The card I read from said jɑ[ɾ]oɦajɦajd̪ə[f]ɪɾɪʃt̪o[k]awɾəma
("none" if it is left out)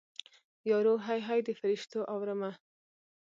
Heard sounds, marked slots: ɾ, f, ʔ

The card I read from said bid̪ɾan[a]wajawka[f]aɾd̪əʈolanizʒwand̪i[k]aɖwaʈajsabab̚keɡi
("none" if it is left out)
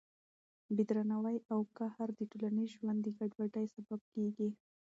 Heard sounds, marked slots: a, h, ɡ

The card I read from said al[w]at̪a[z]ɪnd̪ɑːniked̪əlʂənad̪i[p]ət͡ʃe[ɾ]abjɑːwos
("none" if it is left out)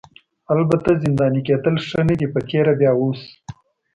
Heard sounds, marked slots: b, z, p, ɾ

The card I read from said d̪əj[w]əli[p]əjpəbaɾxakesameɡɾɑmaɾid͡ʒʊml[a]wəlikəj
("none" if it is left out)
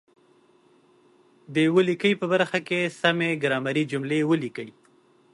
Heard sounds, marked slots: w, k, e

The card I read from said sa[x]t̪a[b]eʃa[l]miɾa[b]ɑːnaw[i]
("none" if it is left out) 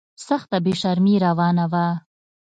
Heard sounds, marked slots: x, b, ɾ, w, a

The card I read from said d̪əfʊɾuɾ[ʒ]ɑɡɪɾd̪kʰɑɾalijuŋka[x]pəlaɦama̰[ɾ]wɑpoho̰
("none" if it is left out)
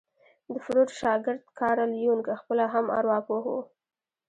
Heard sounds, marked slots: ʃ, x, ɾ

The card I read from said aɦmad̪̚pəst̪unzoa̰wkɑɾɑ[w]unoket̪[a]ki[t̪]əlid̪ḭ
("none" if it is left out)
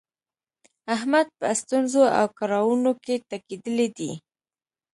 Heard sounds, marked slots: w, a, d̪

